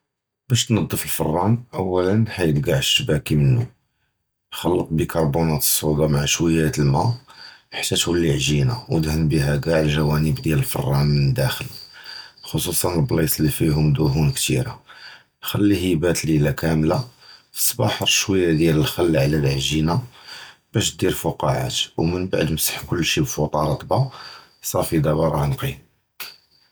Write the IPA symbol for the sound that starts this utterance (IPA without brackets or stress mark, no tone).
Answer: b